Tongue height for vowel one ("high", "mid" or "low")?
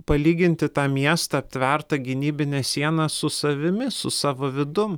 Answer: low